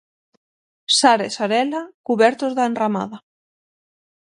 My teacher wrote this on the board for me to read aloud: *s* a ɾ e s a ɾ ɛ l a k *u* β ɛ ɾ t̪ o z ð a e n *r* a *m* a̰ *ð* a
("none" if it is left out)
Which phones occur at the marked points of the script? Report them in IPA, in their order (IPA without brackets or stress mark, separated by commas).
s, u, r, m, ð